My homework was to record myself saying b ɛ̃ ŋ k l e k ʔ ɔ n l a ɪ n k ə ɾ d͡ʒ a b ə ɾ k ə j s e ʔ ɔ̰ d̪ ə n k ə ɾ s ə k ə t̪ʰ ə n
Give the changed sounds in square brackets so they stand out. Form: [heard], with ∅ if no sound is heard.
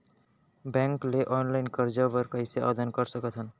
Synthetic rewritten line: b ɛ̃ ŋ k l e [∅] ʔ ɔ n l a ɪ n k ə ɾ d͡ʒ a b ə ɾ k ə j s e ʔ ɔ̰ d̪ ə n k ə ɾ s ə k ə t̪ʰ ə n